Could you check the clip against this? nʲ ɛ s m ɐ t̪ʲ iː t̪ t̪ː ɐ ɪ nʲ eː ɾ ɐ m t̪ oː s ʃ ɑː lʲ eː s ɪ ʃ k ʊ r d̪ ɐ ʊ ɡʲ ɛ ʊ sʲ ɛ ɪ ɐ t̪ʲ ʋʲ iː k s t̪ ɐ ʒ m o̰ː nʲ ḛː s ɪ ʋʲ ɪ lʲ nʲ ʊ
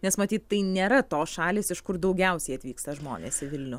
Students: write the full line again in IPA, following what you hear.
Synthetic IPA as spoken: nʲ ɛ s m ɐ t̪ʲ iː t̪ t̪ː ɐ ɪ nʲ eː ɾ ɐ t̪ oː s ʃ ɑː lʲ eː s ɪ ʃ k ʊ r d̪ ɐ ʊ ɡʲ ɛ ʊ sʲ ɛ ɪ ɐ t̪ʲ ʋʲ iː k s t̪ ɐ ʒ m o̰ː nʲ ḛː s ɪ ʋʲ ɪ lʲ nʲ ʊ